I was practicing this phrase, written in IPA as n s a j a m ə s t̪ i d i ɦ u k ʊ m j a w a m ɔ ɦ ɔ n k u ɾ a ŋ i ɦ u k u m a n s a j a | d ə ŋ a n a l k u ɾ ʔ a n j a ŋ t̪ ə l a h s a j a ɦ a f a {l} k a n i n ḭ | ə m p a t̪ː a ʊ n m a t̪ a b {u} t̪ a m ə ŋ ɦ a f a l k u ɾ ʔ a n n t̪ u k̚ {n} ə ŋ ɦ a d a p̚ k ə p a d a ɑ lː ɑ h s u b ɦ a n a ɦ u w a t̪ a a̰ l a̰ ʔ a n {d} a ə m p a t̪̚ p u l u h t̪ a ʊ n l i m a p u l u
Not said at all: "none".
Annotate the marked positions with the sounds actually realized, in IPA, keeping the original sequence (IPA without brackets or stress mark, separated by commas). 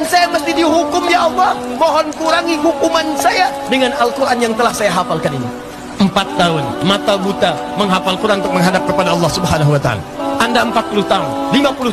l, u, m, d